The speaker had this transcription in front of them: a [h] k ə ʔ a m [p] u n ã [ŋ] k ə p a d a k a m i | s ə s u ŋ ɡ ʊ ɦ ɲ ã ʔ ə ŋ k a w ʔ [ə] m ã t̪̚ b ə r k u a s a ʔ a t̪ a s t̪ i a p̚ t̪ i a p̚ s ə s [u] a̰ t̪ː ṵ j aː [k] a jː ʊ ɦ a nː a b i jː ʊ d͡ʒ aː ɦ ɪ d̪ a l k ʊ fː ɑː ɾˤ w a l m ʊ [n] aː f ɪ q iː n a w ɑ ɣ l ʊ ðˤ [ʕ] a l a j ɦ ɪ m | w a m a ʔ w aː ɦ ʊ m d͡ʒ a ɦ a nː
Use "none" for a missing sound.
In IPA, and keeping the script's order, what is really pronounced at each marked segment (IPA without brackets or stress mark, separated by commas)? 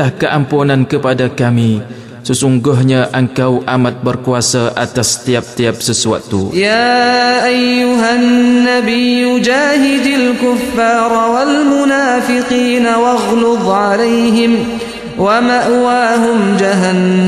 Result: h, p, n, a, u, ʔ, n, ʕ